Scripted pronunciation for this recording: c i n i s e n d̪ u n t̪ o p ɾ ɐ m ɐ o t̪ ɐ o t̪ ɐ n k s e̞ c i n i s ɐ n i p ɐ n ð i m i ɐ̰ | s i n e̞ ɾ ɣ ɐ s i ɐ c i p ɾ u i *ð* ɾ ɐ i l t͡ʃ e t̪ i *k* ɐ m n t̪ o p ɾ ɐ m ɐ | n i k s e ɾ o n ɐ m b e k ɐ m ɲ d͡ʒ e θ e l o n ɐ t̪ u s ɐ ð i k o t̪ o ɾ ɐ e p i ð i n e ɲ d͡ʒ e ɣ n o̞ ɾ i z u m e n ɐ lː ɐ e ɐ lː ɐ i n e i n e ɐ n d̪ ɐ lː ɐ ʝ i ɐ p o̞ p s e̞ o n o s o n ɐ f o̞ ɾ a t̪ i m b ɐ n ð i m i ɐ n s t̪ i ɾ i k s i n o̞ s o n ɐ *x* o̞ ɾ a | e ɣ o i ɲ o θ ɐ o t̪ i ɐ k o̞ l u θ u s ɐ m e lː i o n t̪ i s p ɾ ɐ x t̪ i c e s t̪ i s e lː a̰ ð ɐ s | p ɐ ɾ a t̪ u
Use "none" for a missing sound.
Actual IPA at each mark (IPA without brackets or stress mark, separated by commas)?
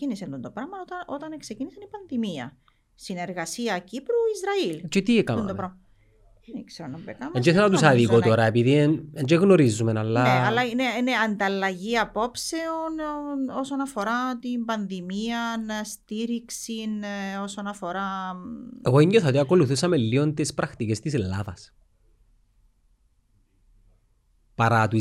z, k, f